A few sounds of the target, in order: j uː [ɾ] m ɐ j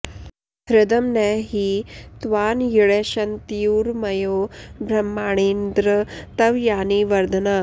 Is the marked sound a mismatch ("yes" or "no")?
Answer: no